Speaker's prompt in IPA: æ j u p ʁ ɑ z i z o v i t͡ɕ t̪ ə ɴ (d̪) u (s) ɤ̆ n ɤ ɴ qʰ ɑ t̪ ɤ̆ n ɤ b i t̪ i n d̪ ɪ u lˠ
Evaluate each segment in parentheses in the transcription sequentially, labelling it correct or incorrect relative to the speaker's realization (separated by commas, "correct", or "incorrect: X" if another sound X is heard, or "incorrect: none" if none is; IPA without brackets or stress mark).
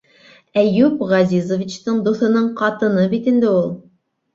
correct, incorrect: θ